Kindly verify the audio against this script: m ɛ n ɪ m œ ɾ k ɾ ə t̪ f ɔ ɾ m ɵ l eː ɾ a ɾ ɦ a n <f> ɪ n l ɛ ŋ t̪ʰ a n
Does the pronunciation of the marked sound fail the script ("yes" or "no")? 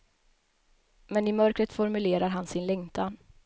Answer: yes